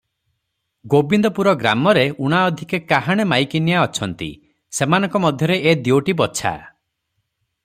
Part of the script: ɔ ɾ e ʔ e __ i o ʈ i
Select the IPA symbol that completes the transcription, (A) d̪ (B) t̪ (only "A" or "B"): A